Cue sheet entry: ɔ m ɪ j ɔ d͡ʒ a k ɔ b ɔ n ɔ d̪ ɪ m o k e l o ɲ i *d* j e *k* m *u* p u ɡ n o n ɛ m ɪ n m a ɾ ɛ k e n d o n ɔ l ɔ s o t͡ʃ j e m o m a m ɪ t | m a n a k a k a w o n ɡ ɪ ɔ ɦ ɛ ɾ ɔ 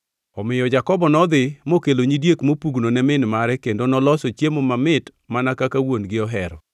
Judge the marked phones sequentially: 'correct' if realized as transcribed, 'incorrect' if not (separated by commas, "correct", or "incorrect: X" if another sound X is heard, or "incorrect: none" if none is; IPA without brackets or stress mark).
correct, correct, incorrect: o